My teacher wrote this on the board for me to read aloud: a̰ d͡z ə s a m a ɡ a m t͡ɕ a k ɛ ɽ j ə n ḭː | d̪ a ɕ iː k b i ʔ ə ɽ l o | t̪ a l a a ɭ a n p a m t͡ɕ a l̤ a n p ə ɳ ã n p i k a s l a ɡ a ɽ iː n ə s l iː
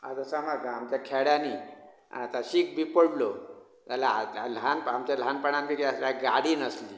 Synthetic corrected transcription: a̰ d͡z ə s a m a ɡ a m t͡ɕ a kʰ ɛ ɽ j a n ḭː | t̪ a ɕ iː k b i p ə ɽ l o | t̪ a l a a l a n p a m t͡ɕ a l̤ a n p ə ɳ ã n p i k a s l a ɡ a ɽ iː n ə s l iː